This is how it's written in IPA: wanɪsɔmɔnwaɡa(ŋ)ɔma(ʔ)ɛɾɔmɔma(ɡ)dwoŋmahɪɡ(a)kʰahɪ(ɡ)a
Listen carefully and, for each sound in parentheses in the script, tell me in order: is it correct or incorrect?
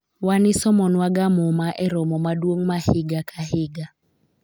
incorrect: m, correct, incorrect: none, correct, correct

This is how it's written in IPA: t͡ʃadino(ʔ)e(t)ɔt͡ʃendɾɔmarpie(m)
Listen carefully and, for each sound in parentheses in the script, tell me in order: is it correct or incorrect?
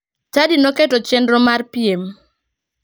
incorrect: k, correct, correct

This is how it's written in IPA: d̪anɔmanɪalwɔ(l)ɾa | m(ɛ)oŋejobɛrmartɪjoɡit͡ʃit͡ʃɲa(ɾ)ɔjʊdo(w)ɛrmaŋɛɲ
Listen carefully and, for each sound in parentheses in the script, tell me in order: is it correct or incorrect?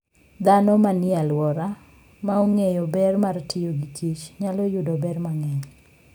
incorrect: none, incorrect: a, incorrect: l, incorrect: b

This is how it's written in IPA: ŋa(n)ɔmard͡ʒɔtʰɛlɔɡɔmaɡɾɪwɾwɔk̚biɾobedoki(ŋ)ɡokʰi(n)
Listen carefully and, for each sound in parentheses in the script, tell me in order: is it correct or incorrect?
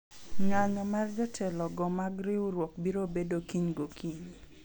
incorrect: ɲ, incorrect: ɲ, incorrect: ɲ

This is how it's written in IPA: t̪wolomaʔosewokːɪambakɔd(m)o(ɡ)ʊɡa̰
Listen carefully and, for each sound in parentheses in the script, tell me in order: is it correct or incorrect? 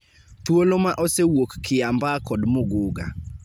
correct, correct

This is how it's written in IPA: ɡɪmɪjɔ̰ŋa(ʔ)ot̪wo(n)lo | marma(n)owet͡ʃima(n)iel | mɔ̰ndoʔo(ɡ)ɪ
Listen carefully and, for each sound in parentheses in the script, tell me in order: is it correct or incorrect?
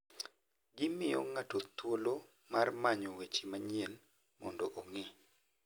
incorrect: t, incorrect: none, incorrect: ɲ, incorrect: ɲ, incorrect: ŋ

